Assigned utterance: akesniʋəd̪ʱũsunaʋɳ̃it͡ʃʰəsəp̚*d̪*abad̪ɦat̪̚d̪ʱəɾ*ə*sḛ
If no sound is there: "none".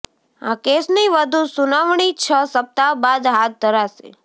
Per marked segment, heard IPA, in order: t̪, a

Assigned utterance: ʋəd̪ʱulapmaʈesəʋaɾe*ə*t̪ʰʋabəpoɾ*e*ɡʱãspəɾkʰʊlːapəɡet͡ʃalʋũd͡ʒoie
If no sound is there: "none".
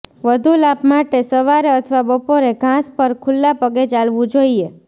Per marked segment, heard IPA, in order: ə, e

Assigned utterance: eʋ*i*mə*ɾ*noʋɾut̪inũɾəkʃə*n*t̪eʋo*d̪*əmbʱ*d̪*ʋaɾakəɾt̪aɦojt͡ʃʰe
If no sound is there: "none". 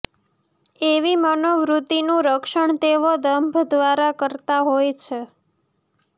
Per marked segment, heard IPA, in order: i, none, ɳ, d̪, d̪

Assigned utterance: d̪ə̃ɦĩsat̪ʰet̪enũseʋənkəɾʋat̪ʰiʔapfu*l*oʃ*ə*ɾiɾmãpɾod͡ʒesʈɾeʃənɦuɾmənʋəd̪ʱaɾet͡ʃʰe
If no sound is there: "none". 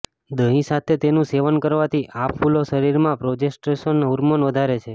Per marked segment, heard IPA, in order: l, ə

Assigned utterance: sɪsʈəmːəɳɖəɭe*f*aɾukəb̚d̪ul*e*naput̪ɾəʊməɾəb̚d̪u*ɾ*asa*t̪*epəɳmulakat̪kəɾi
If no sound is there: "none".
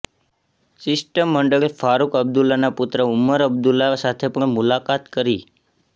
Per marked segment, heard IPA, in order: f, a, l, t̪ʰ

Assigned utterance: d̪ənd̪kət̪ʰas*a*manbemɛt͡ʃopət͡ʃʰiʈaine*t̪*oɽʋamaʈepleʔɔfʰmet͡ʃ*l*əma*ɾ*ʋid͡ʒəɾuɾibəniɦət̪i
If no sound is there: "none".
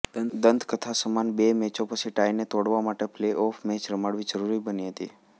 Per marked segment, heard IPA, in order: ə, t̪, ɾ, ɽ

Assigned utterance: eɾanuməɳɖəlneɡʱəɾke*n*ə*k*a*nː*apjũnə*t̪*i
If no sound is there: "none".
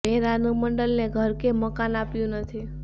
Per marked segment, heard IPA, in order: m, k, n, t̪ʰ

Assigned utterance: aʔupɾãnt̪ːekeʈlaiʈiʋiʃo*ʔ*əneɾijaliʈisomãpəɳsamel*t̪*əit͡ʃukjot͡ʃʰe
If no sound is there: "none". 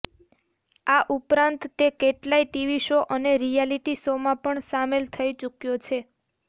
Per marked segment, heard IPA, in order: ʔ, t̪ʰ

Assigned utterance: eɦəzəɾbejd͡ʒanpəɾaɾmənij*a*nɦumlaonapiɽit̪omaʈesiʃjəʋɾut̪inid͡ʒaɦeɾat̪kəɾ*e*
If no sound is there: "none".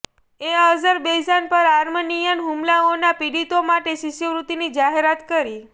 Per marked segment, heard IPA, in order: ə, i

